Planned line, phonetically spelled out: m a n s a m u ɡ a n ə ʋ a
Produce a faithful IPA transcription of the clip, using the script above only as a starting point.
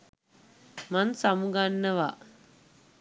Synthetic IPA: m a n s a m u ɡ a nː ə ʋ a